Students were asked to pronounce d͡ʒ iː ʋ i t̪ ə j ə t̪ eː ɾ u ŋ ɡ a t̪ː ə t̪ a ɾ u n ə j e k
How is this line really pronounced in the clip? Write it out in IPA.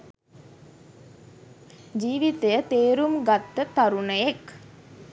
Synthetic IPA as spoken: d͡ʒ iː ʋ i t̪ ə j ə t̪ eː ɾ u m ɡ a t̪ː ə t̪ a ɾ u n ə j e k